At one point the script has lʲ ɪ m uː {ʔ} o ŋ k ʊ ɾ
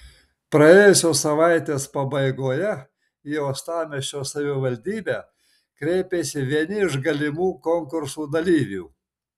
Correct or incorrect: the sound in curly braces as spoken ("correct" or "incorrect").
incorrect